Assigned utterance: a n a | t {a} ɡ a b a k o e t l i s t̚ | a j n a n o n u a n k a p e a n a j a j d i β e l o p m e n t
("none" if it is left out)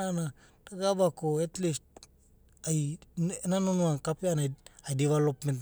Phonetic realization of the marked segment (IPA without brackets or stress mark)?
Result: a